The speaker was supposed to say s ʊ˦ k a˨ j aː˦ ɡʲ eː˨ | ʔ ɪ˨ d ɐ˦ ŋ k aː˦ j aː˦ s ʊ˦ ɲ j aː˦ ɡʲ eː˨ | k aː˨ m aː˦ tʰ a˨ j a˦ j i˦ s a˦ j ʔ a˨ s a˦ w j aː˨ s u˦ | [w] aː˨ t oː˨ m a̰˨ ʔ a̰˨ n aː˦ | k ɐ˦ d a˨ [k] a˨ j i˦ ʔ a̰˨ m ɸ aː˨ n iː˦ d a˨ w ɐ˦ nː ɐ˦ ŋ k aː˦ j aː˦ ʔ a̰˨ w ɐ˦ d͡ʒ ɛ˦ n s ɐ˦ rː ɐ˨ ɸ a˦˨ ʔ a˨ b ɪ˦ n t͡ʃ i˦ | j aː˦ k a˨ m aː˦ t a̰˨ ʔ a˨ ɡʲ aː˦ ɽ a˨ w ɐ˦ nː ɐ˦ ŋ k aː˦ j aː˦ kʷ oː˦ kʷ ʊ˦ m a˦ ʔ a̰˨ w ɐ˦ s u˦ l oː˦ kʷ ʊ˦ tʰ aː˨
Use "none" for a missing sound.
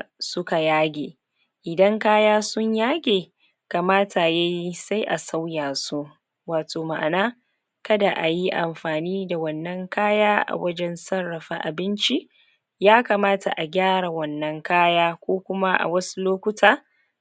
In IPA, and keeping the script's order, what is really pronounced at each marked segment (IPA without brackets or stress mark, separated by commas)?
w, ʔ